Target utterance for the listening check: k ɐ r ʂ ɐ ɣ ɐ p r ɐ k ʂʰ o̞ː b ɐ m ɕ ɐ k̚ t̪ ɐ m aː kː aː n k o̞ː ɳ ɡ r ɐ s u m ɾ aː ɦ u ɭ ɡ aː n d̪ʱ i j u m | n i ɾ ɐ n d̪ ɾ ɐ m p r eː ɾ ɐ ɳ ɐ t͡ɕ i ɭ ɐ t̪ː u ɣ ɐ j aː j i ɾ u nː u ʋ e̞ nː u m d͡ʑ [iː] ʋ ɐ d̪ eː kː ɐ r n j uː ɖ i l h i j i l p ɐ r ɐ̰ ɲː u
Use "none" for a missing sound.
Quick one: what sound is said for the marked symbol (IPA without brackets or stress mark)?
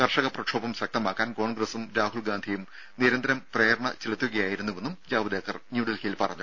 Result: aː